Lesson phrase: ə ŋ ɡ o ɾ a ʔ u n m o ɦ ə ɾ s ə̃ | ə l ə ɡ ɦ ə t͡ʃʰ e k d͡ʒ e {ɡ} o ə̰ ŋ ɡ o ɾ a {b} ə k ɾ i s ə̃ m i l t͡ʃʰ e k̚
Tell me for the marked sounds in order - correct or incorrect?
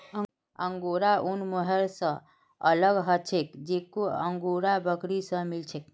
incorrect: k, correct

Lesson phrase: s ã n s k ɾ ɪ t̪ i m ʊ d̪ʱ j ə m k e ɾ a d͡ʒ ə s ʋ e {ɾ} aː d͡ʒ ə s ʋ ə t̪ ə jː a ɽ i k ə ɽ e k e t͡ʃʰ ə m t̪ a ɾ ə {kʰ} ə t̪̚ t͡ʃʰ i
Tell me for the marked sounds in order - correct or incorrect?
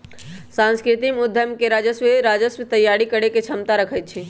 correct, correct

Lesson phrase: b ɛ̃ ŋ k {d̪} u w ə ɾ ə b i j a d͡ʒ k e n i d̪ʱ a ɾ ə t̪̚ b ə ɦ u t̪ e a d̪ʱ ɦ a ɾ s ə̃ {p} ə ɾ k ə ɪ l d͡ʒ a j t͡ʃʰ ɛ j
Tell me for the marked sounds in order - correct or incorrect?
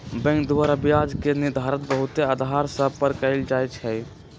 correct, correct

